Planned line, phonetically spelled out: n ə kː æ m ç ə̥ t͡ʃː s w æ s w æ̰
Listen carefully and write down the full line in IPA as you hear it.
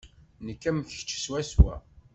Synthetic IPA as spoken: n ə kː æ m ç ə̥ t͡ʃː s w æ s w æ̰

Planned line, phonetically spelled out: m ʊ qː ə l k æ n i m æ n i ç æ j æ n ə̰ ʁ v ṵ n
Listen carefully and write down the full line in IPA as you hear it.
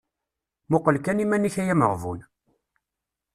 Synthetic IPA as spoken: m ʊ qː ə l k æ n i m æ n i ç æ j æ m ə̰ ʁ v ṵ n

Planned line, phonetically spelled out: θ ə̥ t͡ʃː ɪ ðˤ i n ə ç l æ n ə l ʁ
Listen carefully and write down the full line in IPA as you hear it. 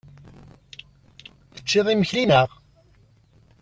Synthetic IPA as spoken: θ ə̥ t͡ʃː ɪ ðˤ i m ə ç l i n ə ʁ

